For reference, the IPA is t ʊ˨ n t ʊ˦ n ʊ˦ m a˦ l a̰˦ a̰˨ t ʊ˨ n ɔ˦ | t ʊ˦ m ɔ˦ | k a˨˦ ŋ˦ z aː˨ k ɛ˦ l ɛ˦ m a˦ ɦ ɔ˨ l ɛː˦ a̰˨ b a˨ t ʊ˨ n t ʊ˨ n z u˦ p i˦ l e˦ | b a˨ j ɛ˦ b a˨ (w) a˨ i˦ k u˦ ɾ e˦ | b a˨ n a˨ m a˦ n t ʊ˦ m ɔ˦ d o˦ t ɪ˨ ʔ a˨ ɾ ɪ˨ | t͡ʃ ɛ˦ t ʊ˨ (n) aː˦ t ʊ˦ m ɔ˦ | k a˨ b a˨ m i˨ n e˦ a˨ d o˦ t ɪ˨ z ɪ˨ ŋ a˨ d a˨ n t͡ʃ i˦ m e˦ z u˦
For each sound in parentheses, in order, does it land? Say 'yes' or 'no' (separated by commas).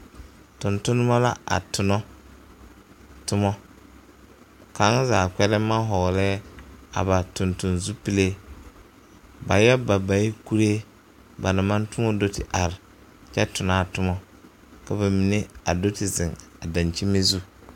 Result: no, yes